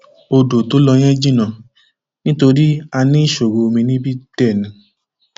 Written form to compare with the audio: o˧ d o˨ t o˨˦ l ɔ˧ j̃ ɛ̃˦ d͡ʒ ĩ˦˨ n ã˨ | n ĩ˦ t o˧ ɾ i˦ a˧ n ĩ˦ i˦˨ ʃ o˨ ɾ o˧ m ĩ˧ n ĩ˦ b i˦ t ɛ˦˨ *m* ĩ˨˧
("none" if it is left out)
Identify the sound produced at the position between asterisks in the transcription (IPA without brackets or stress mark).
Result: n